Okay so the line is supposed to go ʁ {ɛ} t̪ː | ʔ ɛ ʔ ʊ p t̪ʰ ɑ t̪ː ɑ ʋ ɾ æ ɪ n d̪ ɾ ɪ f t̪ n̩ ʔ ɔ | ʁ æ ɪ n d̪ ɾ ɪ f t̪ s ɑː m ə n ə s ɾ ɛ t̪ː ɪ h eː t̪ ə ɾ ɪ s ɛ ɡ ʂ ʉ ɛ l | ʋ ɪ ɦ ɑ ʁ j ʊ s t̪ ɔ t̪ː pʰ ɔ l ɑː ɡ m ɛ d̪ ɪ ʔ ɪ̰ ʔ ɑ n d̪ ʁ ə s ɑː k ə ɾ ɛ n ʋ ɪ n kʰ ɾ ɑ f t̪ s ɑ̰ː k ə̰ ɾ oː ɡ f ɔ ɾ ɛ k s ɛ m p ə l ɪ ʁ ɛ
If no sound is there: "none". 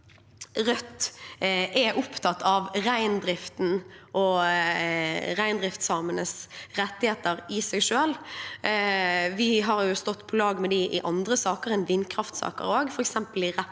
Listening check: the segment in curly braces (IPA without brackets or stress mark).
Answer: œ